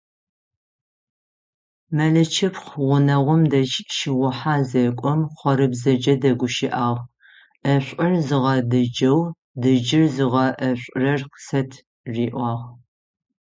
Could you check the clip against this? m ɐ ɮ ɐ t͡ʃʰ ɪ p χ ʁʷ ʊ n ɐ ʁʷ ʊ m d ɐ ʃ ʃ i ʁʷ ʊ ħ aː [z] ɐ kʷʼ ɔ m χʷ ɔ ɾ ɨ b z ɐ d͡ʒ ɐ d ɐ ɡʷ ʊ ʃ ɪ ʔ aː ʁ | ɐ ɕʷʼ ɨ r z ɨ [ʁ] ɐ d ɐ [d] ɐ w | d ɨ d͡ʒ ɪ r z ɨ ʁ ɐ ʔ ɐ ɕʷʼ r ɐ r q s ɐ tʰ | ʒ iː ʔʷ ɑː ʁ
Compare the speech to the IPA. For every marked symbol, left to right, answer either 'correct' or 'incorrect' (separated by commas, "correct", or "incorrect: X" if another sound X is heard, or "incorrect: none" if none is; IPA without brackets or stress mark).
correct, correct, incorrect: d͡ʒ